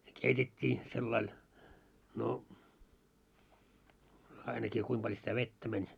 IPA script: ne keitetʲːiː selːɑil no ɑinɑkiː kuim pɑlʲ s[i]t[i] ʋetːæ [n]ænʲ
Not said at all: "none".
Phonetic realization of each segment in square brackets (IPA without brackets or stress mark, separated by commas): i, æ, m